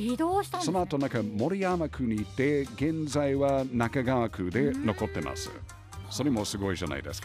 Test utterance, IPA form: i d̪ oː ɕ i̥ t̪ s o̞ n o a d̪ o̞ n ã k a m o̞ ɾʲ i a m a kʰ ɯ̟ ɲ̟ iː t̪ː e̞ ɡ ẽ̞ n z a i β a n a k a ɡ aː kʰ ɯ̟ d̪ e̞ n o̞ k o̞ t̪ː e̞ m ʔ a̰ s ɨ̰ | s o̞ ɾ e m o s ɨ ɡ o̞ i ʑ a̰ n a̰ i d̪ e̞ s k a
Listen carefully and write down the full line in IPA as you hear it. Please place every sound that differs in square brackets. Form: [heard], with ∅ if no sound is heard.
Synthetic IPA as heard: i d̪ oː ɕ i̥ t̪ s o̞ n o a [t̪] o̞ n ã k a m o̞ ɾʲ i a m a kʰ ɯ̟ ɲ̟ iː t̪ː e̞ ɡ ẽ̞ n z a i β a n a k a ɡ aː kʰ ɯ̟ d̪ e̞ n o̞ k o̞ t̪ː e̞ m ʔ a̰ s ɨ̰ | s o̞ ɾ e m o s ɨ ɡ o̞ i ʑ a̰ n a̰ i d̪ e̞ s k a